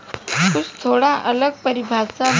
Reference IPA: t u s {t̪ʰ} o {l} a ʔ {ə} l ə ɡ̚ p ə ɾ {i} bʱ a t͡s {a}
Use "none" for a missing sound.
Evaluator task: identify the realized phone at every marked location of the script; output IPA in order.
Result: t̪ʰ, ɽ, ə, i, a

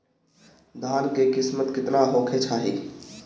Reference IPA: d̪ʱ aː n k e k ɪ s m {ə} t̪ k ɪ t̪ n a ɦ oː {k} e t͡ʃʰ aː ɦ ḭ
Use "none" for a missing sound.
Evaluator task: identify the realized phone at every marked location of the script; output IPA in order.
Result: ə, kʰ

